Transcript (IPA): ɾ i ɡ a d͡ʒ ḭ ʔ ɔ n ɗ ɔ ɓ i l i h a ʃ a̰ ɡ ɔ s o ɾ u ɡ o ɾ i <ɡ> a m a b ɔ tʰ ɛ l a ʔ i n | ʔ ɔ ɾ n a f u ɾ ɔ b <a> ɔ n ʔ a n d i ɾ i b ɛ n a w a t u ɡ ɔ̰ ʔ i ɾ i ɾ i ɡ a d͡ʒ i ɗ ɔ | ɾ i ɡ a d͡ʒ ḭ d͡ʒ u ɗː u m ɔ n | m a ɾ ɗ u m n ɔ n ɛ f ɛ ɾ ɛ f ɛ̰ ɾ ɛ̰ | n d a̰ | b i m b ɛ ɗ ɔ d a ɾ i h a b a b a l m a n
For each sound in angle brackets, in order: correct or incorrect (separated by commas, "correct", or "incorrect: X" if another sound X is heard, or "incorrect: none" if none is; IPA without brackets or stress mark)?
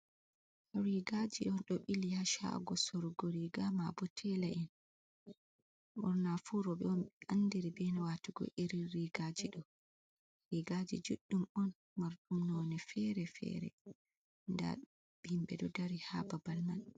correct, incorrect: ɛ